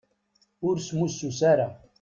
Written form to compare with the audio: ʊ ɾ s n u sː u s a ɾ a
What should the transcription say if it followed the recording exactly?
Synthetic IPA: ʊ ɾ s m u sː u s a ɾ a

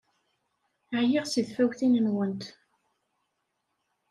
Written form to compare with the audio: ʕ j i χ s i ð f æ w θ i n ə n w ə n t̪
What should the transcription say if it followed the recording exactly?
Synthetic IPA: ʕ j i ʁ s i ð f æ w θ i n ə n w ə n t̪

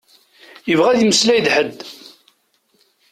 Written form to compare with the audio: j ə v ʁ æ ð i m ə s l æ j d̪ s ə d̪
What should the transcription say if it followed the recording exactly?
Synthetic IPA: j ə v ʁ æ ð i m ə s l æ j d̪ ħ ə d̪

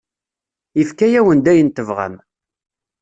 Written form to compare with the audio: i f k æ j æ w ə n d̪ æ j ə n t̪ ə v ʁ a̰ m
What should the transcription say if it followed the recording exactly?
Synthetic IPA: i f k æ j æ w ə n d̪ æ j ə n t̪ ə v ʁ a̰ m

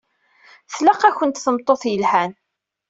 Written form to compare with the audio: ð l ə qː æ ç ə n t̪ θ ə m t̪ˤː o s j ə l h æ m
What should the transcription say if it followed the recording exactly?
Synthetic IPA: θ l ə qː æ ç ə n t̪ θ ə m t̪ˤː o θ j ə l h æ n

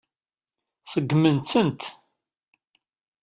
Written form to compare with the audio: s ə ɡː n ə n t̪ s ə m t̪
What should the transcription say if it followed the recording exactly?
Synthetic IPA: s ə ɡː m ə n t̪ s ə n t̪

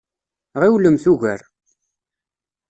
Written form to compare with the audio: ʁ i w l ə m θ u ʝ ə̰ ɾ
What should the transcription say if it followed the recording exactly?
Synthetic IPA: ʁ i w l ə m θ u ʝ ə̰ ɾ

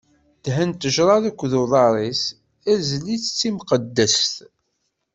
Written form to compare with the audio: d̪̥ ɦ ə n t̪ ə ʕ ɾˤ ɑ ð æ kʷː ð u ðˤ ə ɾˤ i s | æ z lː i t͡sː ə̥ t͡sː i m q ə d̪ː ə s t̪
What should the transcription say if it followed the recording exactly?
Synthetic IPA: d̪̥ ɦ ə n t̪ ə ʒ ɾˤ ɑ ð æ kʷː ð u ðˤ ɑ ɾˤ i s | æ z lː i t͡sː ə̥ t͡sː i m q ə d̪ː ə s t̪

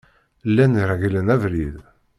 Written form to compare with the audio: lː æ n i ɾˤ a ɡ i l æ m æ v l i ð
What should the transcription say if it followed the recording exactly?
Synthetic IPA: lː æ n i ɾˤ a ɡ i l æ n æ v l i ð

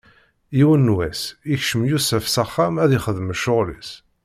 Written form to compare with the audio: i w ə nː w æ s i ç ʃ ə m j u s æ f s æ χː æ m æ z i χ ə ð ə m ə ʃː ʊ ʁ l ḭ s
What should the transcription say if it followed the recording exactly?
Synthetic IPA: i w ə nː w æ s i ç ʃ ə m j u s æ f s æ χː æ m æ ð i χ ə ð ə m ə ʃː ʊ ʁ l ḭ s

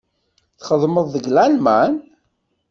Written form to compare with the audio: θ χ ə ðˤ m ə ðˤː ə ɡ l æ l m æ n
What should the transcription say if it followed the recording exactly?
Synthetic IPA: θ χ ə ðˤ m ə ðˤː ə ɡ l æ l m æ n

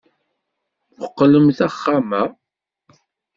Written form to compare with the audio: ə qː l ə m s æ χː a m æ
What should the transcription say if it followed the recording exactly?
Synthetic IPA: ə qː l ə m θ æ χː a m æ

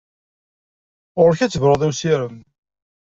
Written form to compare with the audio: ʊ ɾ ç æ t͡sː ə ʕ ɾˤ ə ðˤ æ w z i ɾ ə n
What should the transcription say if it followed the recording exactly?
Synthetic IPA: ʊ ɾ ç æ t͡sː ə v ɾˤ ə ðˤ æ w s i ɾ ə m

